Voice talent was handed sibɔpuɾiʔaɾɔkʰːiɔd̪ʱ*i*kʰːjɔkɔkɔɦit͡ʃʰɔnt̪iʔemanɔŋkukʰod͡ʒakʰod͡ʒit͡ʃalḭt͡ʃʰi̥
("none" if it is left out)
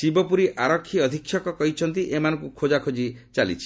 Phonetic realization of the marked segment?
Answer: i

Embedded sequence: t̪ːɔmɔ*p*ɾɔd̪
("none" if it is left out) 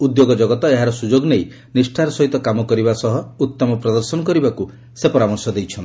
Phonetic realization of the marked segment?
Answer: p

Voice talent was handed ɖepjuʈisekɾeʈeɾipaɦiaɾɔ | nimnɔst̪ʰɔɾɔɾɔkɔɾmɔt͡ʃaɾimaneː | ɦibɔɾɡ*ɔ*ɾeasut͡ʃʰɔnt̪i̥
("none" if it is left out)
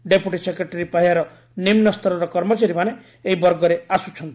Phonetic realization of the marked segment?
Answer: ɔ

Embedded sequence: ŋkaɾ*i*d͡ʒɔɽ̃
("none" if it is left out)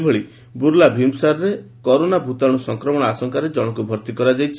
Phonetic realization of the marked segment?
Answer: e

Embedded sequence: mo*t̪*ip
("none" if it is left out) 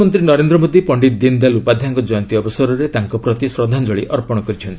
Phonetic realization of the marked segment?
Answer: d̪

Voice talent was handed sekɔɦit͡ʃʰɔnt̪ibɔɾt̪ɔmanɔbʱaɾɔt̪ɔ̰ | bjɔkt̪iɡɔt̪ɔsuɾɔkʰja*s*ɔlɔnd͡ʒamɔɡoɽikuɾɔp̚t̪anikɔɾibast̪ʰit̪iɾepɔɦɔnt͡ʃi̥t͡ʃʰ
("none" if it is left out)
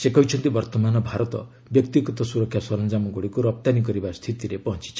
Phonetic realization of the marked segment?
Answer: s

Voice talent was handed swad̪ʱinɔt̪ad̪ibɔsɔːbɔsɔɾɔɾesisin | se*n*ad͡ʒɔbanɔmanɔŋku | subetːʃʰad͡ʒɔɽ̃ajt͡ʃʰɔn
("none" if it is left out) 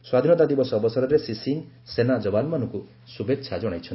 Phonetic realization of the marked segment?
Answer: n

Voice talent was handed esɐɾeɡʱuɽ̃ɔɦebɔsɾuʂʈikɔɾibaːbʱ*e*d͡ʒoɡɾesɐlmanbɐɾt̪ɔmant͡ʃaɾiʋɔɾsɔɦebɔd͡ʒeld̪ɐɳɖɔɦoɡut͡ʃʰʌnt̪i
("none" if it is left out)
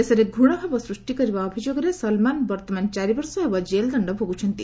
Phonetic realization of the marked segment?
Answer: i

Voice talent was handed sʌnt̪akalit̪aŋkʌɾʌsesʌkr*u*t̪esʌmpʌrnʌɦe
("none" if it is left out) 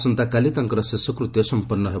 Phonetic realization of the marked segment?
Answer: u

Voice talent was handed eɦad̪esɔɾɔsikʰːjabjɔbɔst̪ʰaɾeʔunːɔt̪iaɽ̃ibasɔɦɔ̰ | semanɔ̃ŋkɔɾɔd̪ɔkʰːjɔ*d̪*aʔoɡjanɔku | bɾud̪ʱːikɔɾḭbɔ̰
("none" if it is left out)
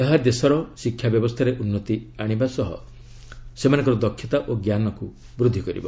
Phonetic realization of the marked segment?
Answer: t̪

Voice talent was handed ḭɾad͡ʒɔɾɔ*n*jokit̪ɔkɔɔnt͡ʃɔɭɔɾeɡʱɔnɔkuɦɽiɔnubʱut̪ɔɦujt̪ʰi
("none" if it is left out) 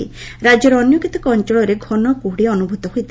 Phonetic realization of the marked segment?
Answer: n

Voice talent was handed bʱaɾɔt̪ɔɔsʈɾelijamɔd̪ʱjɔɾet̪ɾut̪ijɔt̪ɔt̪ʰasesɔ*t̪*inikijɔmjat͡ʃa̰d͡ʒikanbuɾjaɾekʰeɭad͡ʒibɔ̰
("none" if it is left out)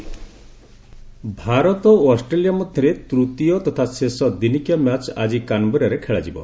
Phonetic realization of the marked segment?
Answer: d̪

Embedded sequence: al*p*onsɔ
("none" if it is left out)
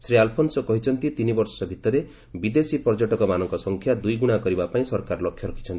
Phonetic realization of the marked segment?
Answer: pʰ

